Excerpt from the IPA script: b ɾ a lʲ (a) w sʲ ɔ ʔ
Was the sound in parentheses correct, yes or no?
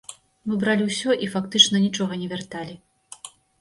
no